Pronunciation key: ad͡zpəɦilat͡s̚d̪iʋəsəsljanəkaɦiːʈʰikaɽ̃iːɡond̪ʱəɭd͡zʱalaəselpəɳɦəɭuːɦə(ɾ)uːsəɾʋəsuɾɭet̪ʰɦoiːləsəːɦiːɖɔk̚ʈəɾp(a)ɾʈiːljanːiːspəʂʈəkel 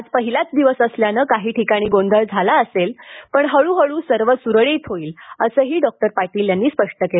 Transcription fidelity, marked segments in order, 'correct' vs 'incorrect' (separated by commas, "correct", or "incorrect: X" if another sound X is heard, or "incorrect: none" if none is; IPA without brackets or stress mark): incorrect: ɭ, correct